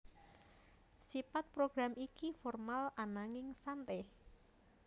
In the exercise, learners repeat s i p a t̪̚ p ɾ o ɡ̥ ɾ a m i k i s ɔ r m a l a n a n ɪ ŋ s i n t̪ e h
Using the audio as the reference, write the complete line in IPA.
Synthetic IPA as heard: s i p a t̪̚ p ɾ o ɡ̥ ɾ a m i k i f ɔ r m a l a n a ŋ ɪ ŋ s a n t̪ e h